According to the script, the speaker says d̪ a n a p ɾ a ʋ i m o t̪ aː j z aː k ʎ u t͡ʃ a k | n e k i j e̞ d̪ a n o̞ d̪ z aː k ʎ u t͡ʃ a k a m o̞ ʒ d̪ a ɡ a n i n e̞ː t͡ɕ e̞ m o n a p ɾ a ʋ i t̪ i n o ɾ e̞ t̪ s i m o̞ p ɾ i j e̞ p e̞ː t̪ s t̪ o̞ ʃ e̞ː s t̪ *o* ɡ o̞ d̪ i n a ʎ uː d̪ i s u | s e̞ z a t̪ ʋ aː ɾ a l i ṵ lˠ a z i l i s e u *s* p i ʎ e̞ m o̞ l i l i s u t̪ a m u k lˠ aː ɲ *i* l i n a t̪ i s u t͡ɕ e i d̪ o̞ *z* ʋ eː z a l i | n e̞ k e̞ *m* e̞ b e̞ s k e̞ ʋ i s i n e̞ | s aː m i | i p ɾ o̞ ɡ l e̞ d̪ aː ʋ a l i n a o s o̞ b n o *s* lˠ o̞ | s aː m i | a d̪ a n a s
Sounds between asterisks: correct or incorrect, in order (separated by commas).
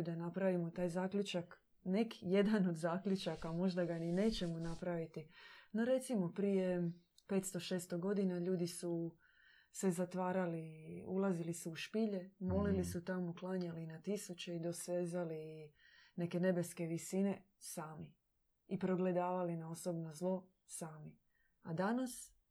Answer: correct, incorrect, incorrect, incorrect, incorrect, incorrect